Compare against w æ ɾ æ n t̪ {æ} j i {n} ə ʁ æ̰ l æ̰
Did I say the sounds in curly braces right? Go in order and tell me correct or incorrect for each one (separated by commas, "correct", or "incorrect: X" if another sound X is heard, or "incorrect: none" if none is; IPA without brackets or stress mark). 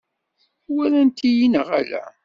incorrect: i, correct